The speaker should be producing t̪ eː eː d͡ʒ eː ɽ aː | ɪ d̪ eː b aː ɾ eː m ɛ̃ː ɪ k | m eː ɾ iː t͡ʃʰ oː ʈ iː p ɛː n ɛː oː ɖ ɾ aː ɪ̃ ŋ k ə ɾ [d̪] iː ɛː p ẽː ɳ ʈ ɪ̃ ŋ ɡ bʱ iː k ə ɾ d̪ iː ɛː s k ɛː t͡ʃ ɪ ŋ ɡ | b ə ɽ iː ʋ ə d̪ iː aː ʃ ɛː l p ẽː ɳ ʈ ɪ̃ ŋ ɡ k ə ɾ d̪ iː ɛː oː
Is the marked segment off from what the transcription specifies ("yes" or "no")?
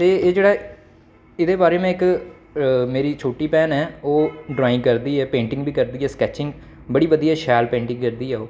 no